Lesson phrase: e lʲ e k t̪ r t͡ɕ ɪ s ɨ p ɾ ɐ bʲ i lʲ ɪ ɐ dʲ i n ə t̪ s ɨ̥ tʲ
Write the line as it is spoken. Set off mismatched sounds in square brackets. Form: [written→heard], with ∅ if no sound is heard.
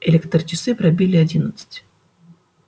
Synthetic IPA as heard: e lʲ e k t̪ r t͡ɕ ɪ s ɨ p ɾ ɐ bʲ i lʲ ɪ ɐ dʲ i n ə t̪ s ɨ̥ tʲ